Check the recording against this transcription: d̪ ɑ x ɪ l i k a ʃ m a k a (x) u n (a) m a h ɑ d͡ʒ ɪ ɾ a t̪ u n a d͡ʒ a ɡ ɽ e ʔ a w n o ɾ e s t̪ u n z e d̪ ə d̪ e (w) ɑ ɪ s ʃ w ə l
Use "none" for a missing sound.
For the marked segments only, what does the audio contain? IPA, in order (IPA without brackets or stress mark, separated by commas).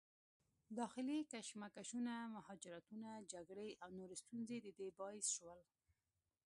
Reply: ʃ, a, b